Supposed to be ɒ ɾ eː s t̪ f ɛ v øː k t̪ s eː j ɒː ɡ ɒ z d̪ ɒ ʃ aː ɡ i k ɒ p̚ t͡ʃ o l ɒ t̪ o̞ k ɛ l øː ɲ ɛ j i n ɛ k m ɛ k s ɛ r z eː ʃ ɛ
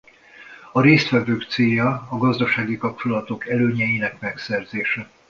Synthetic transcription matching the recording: ɒ ɾ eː s t̪ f ɛ v øː k t̪ s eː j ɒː ɡ ɒ z d̪ ɒ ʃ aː ɡ i k ɒ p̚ t͡ʃ o l ɒ t̪ o̞ k ɛ l øː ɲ ɛ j i n ɛ k m ɛ k s ɛ r z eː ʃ ɛ